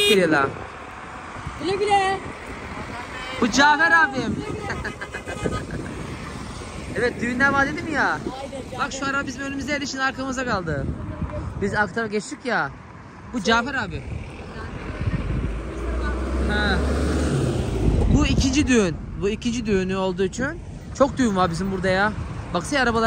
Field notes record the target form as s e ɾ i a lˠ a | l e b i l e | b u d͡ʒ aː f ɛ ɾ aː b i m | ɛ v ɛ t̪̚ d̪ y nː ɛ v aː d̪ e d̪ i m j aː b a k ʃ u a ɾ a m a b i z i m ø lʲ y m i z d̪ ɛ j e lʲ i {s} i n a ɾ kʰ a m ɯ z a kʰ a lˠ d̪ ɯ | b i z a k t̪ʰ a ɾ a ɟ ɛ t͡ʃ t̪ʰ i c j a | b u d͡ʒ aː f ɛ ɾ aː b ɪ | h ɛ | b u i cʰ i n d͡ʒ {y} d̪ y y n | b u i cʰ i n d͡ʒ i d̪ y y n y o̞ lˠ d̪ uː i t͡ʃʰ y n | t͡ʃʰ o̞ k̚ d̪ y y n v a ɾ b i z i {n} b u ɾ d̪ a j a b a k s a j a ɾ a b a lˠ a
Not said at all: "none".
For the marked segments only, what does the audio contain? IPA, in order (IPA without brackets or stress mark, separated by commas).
ʃ, i, m